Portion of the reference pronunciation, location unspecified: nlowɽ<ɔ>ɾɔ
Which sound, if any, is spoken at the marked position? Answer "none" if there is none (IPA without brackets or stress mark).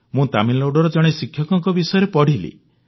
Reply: ɔ